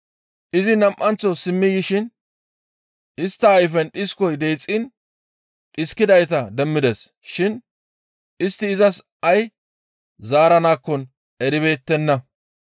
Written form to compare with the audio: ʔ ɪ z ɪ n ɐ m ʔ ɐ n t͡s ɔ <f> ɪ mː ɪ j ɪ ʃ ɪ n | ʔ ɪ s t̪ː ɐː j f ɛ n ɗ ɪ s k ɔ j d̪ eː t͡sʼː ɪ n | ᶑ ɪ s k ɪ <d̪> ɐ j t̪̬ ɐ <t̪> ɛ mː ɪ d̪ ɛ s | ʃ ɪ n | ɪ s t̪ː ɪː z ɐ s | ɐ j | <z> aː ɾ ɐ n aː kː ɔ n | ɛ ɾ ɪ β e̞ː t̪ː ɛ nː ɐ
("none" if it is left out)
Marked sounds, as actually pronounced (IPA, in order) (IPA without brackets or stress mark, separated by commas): s, d̪, d̪, z